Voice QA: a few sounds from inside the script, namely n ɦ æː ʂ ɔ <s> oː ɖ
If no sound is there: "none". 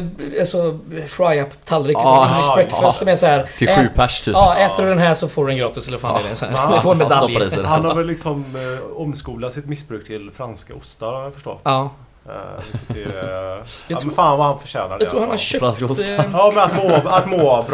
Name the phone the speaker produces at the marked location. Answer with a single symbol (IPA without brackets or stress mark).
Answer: f